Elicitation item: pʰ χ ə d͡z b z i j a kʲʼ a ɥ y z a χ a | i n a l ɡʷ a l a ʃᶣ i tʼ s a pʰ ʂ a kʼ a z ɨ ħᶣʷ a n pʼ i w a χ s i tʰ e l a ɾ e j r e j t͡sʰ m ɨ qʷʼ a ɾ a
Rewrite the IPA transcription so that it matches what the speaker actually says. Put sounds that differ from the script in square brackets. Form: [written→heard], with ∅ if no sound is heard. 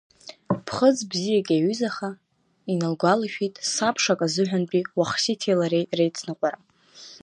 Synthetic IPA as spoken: pʰ χ ə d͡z b z i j a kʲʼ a ɥ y z a χ a | i n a l ɡʷ a l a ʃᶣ i tʼ s a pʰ ʂ a kʼ a z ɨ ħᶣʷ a n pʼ i w a χ s i tʰ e l a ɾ e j r e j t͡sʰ [m→n] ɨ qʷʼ a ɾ a

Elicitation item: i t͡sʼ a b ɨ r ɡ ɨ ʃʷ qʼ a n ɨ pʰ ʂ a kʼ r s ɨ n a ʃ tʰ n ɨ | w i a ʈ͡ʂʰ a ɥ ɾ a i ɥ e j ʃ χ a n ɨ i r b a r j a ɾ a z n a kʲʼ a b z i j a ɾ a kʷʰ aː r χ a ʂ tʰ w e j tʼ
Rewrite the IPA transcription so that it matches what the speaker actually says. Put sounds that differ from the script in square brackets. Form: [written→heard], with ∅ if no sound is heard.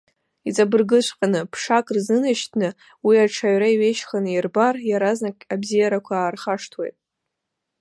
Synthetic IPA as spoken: i t͡sʼ a b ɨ r ɡ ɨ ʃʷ qʼ a n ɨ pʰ ʂ a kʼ r [s→z] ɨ n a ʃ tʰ n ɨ | w i a ʈ͡ʂʰ a ɥ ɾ a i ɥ e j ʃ χ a n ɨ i r b a r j a ɾ a z n a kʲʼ a b z i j a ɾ a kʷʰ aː r χ a ʂ tʰ w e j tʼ

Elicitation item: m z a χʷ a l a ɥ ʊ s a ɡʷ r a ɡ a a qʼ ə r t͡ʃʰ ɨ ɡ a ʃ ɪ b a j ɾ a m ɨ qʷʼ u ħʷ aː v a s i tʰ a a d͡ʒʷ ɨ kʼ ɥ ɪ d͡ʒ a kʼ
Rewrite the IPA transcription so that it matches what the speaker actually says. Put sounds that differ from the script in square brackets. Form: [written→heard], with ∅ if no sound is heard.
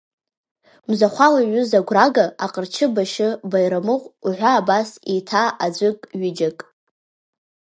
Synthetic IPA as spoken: m z a χʷ a l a ɥ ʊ [s→z] a ɡʷ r a ɡ a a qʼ ə r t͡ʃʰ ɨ [ɡ→b] a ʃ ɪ b a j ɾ a m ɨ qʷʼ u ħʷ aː [v→b] a s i tʰ a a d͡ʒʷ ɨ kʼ ɥ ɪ d͡ʒ a kʼ

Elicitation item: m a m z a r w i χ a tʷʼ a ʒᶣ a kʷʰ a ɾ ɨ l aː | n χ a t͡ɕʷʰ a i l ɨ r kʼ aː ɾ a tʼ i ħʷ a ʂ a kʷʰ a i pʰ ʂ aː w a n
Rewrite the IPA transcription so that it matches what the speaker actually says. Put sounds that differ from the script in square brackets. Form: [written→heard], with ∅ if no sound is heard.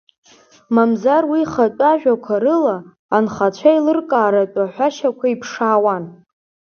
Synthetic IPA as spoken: m a m z a r w i χ a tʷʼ a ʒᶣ a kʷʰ a ɾ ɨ l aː | n χ a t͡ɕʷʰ a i l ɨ r kʼ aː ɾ a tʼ [i→a] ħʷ a [ʂ→ʃ] a kʷʰ a i pʰ ʂ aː w a n

